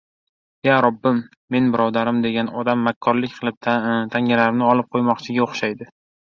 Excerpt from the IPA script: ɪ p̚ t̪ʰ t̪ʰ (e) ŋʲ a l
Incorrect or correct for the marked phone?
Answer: incorrect: a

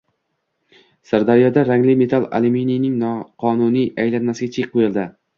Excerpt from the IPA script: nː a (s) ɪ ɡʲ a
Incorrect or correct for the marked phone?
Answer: correct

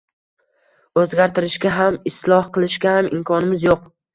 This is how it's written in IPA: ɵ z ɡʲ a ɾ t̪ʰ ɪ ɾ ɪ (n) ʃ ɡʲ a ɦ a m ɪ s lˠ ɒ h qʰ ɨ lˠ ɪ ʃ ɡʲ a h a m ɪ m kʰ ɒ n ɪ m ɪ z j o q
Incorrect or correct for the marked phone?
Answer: incorrect: none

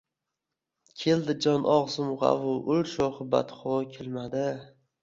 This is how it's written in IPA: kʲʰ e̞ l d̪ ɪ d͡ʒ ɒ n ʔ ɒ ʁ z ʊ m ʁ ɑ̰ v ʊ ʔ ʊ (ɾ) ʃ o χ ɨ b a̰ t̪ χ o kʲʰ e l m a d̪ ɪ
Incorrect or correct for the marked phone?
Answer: incorrect: l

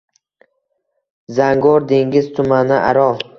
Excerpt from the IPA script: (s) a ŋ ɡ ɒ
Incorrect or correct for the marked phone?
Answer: incorrect: z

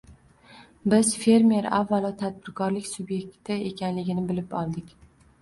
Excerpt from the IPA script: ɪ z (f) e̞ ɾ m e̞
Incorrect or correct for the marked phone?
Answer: correct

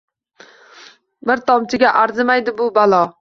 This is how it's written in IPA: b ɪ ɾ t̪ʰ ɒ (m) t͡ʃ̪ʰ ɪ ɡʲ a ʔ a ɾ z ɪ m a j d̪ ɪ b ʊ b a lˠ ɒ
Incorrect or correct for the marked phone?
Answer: correct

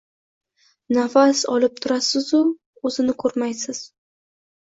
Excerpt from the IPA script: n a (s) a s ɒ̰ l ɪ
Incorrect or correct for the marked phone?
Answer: incorrect: f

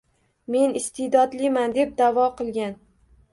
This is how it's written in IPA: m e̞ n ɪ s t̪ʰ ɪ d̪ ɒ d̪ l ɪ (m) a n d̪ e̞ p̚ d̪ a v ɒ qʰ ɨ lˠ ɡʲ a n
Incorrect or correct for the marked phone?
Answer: correct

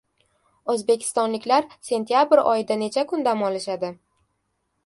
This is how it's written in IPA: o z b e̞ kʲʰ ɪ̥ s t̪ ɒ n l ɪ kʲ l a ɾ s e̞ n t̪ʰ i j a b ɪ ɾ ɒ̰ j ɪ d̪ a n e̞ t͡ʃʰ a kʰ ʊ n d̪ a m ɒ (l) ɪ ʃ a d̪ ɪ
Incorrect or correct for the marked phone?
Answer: correct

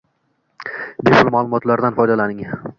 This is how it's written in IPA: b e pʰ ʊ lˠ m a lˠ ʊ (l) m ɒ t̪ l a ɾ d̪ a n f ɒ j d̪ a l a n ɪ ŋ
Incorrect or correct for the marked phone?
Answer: incorrect: none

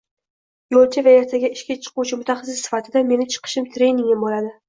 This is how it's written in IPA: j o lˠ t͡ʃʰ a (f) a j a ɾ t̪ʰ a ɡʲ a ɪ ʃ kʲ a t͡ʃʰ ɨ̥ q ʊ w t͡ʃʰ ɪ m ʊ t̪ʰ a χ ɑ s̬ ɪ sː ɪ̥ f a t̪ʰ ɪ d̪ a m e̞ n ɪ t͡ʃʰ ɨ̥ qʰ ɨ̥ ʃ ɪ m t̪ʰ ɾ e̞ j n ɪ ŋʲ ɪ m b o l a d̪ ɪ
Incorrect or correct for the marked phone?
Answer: incorrect: v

